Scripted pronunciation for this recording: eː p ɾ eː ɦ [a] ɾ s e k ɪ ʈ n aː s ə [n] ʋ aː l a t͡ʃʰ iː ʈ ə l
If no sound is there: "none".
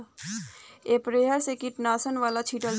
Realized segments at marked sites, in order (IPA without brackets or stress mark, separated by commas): ə, n